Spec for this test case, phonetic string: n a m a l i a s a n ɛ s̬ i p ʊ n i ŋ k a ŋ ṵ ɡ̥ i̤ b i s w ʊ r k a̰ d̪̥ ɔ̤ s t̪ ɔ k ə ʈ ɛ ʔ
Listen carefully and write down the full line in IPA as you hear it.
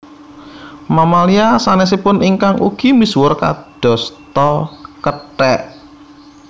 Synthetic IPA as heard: m a m a l i a s a n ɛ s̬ i p ʊ n i ŋ k a ŋ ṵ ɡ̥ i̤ m i s w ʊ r k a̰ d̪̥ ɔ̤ s t̪ ɔ k ə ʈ ɛ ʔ